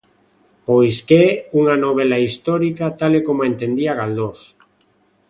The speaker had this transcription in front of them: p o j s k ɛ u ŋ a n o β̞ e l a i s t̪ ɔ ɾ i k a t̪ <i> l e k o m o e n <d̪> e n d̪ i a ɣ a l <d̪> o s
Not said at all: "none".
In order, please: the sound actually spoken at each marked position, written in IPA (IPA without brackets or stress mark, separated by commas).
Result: a, t̪, d̪